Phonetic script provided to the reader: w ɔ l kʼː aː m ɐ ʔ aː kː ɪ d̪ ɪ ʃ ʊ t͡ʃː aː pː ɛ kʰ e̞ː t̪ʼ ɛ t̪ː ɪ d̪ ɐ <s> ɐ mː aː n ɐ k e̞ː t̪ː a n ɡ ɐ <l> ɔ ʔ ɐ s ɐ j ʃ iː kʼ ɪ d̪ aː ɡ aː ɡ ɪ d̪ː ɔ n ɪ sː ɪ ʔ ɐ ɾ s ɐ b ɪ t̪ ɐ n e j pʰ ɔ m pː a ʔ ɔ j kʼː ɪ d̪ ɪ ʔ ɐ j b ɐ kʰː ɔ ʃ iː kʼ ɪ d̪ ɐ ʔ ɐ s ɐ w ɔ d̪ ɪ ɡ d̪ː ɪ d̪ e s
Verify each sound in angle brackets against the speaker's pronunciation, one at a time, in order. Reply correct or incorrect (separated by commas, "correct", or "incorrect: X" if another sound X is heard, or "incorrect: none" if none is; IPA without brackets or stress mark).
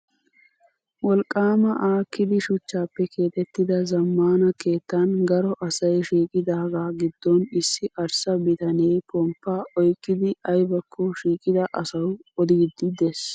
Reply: incorrect: z, incorrect: ɾ